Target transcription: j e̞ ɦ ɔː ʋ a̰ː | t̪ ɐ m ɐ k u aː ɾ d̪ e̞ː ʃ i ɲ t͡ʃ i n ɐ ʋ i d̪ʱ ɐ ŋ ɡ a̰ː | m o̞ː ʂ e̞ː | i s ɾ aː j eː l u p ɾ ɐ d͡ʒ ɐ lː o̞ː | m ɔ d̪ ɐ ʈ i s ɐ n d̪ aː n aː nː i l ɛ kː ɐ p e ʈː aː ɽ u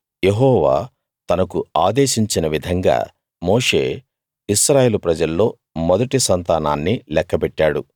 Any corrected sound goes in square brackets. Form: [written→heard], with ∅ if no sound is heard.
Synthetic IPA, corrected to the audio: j e̞ ɦ ɔː ʋ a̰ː | t̪ ɐ [m→n] ɐ k u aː [ɾ→∅] d̪ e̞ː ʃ i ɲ t͡ʃ i n ɐ ʋ i d̪ʱ ɐ ŋ ɡ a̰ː | m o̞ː ʂ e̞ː | i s ɾ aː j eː l u p ɾ ɐ d͡ʒ ɐ lː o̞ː | m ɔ d̪ ɐ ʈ i s ɐ n [d̪→t̪] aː n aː nː i l ɛ kː ɐ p [e→ɛ] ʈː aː ɽ u